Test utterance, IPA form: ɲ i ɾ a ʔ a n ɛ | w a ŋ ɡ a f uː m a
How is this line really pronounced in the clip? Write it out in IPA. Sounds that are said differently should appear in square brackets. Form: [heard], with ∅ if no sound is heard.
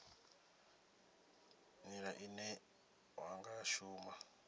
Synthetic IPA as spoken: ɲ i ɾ a ʔ [i] n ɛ | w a ŋ ɡ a [ʃ] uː m a